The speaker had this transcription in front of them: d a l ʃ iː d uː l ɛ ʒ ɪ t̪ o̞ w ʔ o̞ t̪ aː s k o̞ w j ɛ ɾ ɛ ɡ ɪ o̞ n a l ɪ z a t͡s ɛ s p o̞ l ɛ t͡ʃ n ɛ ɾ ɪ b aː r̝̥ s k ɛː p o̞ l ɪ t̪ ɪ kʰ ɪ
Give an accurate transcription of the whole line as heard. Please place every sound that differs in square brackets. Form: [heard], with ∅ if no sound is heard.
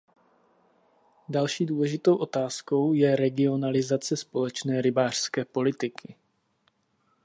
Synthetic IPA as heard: d a l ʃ iː d uː l ɛ ʒ ɪ t̪ o̞ w ʔ o̞ t̪ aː s k o̞ w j ɛ ɾ ɛ ɡ ɪ o̞ n a l ɪ z a t͡s ɛ s p o̞ l ɛ t͡ʃ n [ɛː] ɾ ɪ b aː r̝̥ s k ɛː p o̞ l ɪ t̪ ɪ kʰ ɪ